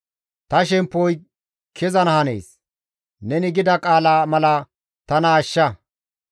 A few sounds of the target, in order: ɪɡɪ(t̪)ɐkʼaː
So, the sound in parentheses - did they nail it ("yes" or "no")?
no